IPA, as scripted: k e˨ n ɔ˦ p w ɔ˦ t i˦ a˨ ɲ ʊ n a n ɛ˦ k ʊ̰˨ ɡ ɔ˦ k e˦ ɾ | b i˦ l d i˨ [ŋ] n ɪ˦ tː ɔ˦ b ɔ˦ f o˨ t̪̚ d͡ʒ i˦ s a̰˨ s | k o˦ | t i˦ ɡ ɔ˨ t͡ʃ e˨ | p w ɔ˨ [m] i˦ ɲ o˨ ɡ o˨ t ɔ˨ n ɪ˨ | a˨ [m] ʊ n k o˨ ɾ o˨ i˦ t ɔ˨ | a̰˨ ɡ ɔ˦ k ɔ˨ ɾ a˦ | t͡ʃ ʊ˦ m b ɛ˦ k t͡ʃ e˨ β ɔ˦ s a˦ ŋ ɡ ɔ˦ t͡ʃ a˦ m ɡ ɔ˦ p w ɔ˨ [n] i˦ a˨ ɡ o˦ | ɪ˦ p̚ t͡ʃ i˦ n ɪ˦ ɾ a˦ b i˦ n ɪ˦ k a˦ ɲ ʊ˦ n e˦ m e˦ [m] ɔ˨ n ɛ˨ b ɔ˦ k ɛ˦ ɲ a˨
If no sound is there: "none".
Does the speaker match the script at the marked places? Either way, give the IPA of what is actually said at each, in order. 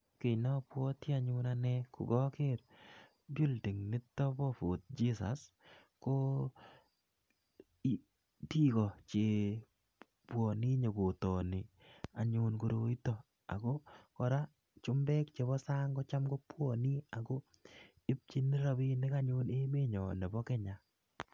ŋ, n, ɲ, n, ɲ

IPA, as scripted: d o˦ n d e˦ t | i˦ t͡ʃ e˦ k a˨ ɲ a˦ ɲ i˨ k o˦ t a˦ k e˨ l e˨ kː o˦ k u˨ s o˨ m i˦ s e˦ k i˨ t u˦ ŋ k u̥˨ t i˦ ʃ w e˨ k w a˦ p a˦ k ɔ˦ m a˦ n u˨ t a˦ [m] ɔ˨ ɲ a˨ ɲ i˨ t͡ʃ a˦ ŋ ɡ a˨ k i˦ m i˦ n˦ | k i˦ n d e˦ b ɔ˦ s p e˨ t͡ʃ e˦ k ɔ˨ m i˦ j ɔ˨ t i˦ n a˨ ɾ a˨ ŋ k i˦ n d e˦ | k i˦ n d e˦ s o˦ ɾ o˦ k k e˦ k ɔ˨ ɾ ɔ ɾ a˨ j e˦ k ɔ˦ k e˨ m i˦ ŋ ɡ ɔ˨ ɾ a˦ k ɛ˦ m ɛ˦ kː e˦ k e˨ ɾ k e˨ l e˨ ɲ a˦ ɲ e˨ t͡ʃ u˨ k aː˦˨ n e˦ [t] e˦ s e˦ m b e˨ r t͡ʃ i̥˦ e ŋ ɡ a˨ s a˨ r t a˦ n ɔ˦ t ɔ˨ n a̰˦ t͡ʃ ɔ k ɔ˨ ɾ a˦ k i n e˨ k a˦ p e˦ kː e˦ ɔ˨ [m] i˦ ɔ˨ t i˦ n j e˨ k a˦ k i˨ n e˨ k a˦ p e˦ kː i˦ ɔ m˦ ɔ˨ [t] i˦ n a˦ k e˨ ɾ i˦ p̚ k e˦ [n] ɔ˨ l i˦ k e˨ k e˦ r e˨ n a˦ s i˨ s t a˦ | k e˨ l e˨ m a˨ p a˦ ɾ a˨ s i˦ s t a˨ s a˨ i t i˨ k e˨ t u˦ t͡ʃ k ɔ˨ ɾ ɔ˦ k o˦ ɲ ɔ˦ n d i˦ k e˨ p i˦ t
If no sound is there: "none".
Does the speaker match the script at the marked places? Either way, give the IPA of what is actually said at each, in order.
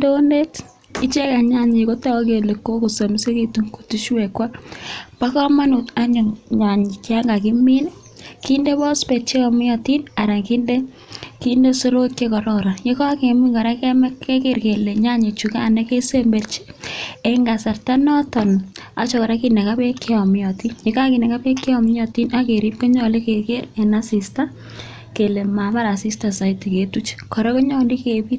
ɲ, k, m, t, ɲ

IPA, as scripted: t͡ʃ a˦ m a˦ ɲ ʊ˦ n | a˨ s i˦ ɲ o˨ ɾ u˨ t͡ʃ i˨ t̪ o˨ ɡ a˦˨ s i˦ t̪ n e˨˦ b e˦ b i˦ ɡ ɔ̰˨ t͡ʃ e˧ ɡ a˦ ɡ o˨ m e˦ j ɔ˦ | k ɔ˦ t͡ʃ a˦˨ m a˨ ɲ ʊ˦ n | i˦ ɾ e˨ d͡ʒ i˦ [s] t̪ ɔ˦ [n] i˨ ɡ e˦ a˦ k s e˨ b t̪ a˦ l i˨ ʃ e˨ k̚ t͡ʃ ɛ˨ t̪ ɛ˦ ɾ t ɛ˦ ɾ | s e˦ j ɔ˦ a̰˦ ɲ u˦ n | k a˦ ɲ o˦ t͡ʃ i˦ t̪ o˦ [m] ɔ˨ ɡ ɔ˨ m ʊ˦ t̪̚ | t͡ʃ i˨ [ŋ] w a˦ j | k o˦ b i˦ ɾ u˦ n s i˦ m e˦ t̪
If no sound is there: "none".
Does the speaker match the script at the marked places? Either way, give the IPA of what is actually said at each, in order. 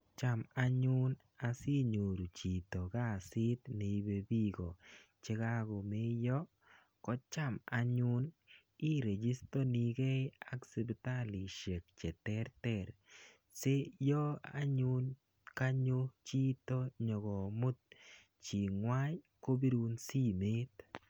s, n, ɲ, ŋ

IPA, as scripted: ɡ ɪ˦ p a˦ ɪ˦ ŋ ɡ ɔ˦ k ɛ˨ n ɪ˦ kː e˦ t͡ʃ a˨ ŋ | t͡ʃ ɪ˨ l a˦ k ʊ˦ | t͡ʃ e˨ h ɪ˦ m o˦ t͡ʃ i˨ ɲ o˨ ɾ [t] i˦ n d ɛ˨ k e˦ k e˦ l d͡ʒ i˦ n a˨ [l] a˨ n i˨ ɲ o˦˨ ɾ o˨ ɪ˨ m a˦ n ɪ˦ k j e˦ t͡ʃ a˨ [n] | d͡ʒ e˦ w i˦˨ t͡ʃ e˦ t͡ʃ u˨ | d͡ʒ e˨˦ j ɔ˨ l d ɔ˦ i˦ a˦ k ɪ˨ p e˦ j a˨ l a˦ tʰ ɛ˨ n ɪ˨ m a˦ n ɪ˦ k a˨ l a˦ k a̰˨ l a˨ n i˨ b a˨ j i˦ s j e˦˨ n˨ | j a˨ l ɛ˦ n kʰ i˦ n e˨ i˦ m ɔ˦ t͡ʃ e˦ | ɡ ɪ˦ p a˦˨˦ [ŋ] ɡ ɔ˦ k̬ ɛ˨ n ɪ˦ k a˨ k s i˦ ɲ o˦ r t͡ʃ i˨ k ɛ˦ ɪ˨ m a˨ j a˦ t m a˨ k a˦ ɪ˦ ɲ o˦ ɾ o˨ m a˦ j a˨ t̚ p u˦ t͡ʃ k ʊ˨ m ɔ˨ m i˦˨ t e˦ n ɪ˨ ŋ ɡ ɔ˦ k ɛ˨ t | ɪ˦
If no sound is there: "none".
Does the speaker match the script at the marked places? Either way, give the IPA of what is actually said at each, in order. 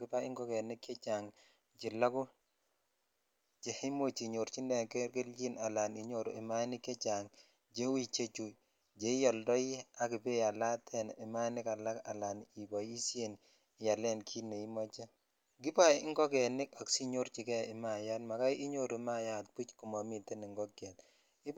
t͡ʃ, l, ŋ, ŋ

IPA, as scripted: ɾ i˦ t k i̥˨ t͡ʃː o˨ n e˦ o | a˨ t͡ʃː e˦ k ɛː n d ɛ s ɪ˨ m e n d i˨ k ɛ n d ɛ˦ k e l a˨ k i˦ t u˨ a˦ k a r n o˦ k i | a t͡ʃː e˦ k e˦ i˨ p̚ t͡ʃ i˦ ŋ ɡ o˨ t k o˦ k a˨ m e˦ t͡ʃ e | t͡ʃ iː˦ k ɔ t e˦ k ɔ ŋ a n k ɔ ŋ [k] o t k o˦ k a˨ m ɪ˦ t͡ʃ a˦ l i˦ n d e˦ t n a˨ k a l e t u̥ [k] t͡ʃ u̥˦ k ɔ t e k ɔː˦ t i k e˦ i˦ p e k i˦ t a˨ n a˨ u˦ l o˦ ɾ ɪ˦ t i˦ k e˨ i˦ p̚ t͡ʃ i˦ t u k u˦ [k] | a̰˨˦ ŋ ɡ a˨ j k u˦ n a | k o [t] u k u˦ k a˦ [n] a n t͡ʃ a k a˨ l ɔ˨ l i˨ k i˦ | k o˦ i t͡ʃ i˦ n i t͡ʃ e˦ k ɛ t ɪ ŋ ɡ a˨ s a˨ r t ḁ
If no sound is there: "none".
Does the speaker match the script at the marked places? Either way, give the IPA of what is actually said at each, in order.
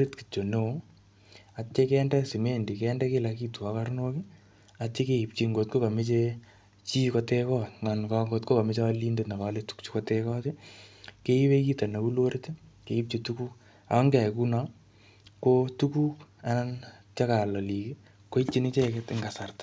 ɡ, k, k, t, n

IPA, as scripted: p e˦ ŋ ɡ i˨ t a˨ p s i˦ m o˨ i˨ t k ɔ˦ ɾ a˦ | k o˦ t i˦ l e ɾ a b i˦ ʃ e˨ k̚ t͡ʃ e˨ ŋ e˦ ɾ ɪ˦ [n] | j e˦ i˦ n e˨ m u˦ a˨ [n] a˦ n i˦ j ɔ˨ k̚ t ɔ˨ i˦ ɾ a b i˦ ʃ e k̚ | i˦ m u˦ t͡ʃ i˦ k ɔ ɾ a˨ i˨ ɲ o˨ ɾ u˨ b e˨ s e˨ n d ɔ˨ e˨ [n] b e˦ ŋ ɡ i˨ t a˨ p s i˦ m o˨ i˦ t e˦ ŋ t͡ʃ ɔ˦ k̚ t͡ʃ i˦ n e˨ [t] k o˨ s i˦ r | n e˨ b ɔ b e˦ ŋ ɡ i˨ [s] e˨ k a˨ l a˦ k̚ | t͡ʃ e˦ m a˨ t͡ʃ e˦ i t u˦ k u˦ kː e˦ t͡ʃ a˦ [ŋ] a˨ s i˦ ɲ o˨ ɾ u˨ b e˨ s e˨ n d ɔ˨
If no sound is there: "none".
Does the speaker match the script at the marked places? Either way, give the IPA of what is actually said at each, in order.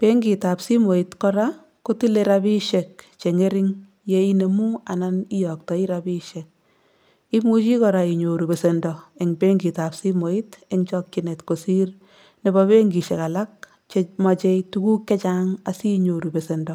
ŋ, n, ŋ, t, ʃ, ŋ

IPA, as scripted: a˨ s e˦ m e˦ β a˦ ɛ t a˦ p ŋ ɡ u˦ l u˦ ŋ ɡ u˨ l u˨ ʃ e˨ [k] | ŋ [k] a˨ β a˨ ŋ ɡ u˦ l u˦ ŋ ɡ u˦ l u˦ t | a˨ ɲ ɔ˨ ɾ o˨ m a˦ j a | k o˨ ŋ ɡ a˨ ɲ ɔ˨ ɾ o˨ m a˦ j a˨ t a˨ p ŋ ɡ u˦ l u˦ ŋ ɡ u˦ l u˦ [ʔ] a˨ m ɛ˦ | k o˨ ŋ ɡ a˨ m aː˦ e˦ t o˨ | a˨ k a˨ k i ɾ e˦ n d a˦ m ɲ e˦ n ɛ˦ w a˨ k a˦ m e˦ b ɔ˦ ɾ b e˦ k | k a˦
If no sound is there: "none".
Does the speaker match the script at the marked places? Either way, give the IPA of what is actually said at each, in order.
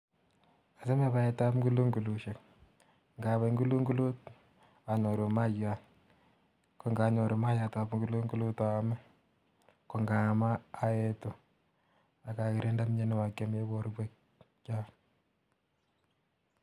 k, ɡ, t

